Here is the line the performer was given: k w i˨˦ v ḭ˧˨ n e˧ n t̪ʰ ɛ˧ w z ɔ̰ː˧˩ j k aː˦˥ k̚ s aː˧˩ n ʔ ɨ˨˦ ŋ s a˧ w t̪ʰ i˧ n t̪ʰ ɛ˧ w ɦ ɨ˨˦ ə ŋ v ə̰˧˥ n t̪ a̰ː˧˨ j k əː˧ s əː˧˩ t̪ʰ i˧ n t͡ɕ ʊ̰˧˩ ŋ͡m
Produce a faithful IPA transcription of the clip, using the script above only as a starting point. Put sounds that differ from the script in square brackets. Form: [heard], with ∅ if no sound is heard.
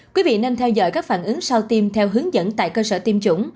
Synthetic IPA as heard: k w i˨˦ v ḭ˧˨ n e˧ n t̪ʰ ɛ˧ w z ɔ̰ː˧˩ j k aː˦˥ k̚ [f] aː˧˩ n ʔ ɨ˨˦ ŋ s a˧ w [t̪] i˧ [m] t̪ʰ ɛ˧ w ɦ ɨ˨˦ ə ŋ [z] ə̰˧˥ n t̪ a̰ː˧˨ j k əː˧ s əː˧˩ [t̪] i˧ [m] t͡ɕ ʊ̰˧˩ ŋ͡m